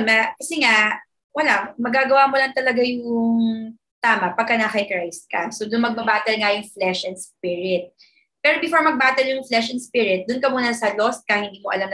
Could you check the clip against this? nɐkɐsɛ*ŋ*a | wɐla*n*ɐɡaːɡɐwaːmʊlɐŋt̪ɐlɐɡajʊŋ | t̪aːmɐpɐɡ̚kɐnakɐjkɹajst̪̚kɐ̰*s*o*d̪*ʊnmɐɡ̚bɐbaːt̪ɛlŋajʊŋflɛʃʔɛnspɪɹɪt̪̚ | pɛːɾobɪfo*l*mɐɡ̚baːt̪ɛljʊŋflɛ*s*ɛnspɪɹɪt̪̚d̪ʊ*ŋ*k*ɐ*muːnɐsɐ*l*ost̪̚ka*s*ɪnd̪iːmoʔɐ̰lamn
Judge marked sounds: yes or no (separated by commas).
yes, no, yes, yes, no, no, no, yes, yes, no